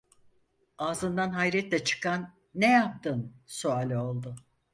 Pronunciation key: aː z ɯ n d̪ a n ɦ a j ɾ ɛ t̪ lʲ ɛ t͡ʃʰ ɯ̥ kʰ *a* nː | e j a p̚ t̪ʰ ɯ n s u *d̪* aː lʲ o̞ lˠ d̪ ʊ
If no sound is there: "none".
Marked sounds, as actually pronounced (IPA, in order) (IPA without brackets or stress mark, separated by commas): a, none